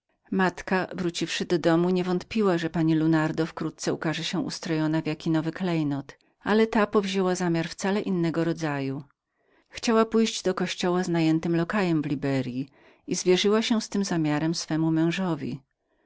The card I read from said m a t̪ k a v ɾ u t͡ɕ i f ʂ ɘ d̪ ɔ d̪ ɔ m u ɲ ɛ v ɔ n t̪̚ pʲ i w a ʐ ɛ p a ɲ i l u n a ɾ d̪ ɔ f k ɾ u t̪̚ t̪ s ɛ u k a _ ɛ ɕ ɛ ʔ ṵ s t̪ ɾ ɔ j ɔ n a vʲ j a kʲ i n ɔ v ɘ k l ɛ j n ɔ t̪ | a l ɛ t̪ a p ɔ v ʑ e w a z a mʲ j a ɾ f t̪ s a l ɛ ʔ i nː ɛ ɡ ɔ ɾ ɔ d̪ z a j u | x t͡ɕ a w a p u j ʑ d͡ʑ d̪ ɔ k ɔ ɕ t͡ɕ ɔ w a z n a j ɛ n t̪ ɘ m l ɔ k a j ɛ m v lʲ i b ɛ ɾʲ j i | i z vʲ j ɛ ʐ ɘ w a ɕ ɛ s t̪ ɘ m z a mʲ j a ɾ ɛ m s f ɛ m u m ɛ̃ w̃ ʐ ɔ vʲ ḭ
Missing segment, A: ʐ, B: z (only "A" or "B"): A